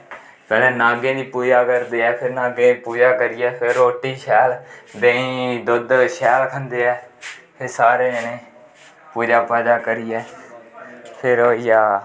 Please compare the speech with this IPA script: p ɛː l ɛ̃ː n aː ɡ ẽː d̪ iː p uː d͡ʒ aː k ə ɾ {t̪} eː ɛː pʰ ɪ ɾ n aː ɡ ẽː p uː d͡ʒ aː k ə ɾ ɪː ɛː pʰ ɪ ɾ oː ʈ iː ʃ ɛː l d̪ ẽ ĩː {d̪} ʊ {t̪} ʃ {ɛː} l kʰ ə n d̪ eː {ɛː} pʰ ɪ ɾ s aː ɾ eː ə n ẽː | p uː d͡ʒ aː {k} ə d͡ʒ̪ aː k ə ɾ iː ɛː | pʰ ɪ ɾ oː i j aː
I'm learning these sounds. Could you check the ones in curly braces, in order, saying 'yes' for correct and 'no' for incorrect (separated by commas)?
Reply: no, yes, no, yes, yes, no